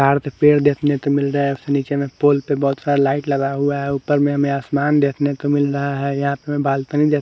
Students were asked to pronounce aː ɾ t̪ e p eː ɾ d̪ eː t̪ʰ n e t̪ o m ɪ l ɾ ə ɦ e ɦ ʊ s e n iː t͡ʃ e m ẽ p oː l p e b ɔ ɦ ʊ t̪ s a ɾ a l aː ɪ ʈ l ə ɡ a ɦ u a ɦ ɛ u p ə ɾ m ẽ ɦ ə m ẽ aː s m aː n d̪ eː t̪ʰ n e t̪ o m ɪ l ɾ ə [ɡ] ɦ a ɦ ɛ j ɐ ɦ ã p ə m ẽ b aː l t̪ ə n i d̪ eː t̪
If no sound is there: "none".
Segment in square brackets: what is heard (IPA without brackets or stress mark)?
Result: none